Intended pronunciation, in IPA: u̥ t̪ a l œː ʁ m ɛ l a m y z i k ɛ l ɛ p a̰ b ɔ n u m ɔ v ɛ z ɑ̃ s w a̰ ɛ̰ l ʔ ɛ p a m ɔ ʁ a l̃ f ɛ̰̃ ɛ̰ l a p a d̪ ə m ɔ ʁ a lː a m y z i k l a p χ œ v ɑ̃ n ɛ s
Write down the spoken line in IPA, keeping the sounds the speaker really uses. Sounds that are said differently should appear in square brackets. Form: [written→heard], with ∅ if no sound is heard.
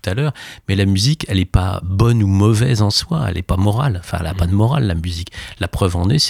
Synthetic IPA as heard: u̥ t̪ a l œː ʁ m ɛ l a m y z i k ɛ l ɛ p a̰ b ɔ n u m ɔ v ɛ z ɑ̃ s w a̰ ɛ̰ l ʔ ɛ p a m ɔ ʁ a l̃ f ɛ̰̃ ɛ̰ l a p a d̪ ə m ɔ ʁ a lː a m y z i k l a p χ œ v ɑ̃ n ɛ s